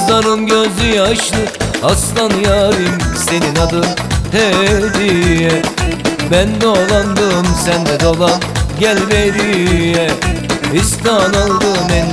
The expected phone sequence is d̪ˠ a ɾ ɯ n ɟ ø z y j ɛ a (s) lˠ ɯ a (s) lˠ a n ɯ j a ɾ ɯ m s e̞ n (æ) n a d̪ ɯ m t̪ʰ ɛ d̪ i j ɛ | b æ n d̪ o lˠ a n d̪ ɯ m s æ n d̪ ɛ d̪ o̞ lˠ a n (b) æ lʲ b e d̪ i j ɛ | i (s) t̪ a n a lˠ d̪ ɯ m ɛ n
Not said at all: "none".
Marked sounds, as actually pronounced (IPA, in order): ʃ, s, i, ɟ, s

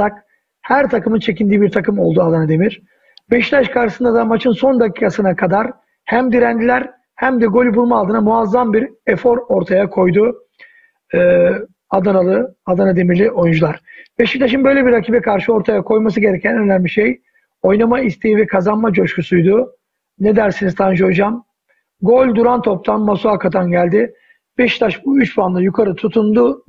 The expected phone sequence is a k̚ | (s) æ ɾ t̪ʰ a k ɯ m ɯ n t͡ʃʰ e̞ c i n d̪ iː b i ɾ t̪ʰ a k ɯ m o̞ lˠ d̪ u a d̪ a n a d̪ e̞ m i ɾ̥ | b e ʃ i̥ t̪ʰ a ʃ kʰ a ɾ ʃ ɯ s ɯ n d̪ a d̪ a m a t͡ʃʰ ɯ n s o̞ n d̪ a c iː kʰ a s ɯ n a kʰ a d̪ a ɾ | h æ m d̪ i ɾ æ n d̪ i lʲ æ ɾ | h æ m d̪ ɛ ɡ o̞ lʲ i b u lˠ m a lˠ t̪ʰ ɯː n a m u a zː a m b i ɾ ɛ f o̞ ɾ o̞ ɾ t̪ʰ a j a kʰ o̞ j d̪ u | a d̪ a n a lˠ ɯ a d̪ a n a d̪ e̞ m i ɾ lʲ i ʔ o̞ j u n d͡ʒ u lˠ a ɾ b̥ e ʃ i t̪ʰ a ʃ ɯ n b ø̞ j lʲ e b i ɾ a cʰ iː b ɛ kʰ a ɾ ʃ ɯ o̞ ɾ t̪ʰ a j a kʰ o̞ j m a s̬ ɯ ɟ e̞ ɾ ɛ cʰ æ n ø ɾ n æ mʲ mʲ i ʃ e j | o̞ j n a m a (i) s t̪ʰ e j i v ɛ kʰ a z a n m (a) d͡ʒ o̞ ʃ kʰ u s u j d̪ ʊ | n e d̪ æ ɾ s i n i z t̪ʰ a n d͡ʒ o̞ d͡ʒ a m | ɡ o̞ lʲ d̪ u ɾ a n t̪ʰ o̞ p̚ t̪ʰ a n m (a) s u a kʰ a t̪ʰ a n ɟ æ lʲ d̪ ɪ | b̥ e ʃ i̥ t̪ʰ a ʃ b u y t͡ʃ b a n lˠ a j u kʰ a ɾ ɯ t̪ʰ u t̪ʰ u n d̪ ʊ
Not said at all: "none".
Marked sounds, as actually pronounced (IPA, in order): h, i, a, a

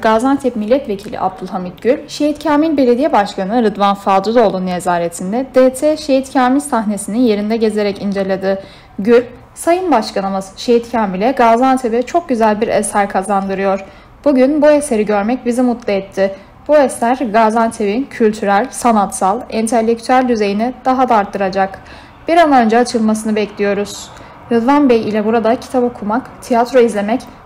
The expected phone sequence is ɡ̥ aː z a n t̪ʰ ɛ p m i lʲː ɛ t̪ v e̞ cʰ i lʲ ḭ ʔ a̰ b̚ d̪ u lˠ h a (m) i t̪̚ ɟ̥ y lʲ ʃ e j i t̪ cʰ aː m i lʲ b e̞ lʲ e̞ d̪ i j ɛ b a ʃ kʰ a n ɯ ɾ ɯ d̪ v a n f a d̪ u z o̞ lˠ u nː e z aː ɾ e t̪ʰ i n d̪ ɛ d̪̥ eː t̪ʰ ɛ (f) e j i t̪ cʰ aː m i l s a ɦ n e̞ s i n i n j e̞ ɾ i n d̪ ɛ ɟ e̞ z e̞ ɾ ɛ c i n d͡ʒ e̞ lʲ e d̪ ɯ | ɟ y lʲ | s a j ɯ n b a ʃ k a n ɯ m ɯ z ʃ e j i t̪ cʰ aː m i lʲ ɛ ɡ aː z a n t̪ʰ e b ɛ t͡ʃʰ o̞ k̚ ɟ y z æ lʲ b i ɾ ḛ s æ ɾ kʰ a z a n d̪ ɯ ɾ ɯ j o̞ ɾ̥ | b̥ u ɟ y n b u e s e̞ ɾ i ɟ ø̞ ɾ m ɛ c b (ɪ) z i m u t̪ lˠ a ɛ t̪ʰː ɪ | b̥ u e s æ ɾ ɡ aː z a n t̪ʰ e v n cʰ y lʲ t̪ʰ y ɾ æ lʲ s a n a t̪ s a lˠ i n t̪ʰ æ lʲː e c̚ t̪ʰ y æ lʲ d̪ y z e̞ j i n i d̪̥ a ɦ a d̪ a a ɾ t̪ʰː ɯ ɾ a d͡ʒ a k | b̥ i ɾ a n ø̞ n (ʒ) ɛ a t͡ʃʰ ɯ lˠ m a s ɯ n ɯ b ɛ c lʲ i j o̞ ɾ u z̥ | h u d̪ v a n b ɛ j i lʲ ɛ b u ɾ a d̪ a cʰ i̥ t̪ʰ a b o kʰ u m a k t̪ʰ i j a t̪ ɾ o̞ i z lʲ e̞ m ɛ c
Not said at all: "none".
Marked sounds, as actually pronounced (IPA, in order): m, ʃ, i, d͡ʒ

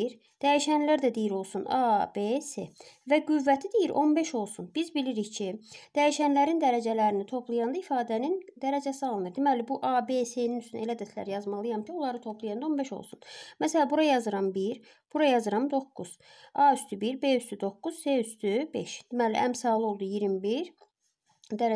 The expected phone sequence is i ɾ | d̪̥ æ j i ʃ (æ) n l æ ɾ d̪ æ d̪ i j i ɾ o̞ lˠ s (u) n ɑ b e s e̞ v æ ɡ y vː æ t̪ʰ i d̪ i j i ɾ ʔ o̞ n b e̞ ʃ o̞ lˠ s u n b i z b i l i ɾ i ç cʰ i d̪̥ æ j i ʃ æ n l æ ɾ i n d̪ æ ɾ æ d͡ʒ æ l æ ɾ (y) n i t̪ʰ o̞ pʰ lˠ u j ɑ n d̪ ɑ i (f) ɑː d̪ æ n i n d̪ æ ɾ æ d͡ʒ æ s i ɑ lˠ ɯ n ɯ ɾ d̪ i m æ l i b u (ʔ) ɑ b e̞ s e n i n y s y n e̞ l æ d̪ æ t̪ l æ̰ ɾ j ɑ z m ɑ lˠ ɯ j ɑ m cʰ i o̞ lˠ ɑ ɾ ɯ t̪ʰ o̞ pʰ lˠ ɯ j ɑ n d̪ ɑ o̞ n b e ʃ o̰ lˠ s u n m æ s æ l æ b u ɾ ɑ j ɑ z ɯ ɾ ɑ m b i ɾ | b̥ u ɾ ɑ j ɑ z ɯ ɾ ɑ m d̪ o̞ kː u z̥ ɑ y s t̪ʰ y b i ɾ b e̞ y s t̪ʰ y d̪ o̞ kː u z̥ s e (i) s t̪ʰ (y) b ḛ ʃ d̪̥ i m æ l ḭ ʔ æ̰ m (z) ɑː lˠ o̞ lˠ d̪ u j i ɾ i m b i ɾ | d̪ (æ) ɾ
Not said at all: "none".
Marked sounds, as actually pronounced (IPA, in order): æ, u, i, f, ʔ, y, y, s, æ

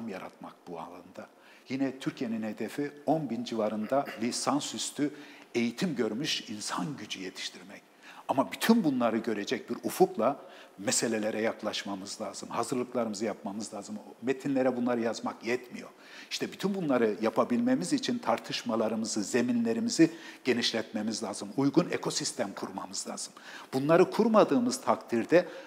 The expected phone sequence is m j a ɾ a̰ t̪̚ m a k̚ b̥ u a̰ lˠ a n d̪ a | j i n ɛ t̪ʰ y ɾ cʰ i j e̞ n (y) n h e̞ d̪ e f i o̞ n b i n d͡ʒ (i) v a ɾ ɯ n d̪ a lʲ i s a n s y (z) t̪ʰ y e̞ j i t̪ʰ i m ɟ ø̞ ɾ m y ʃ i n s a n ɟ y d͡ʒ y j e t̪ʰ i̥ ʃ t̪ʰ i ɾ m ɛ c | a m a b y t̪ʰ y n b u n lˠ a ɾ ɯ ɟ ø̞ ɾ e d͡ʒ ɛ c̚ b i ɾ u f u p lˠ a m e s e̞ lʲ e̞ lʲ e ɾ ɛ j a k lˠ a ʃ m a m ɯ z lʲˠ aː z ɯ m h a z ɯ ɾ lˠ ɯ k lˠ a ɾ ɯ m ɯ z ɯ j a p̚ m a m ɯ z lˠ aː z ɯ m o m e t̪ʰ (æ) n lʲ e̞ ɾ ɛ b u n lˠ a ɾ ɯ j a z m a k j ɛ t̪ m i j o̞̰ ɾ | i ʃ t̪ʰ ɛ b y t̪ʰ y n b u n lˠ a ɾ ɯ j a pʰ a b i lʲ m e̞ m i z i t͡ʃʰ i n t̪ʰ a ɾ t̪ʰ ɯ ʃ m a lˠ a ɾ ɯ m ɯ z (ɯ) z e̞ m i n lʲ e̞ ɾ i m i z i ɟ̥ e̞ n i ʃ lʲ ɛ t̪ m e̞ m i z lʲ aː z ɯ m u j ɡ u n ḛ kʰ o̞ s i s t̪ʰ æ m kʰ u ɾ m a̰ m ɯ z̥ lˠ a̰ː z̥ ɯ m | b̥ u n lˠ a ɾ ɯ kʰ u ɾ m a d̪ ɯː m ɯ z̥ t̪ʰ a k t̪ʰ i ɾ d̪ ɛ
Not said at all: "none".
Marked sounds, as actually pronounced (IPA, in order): i, i, s, i, ɯ

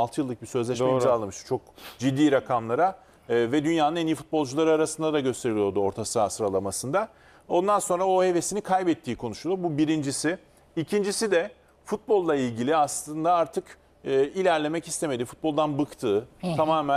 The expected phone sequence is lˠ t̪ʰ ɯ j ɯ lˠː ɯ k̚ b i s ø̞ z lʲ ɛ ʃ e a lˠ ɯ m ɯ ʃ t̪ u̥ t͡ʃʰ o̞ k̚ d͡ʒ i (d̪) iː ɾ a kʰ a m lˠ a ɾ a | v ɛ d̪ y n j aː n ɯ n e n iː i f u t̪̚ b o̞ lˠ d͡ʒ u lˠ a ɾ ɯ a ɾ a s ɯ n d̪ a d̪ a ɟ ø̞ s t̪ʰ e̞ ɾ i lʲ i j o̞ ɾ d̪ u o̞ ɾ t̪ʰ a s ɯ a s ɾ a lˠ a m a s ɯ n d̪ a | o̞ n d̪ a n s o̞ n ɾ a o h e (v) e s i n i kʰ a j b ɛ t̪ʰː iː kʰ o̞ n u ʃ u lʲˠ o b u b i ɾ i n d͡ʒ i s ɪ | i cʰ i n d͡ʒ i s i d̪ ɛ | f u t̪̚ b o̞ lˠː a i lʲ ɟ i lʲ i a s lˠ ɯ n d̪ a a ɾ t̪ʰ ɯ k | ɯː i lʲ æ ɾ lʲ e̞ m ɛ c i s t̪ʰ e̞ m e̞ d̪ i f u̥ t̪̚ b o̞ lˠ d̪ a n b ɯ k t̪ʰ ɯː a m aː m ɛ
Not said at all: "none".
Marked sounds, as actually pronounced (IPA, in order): d̪ː, v

